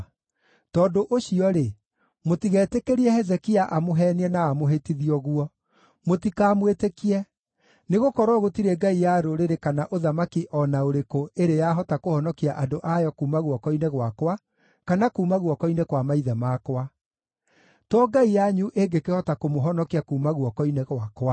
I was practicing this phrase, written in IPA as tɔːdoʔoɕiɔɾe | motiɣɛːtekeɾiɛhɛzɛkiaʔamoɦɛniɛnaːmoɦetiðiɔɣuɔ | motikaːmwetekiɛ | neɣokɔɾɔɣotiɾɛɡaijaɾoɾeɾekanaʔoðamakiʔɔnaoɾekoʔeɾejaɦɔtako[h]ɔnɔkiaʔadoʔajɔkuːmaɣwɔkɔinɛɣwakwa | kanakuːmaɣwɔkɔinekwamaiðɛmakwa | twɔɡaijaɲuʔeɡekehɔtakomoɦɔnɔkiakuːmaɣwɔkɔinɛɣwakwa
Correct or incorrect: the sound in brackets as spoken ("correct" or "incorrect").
correct